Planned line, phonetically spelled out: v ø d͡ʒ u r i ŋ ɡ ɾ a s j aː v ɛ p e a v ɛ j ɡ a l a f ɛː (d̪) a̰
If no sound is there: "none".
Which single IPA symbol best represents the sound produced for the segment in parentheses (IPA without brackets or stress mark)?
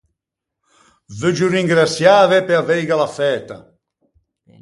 t̪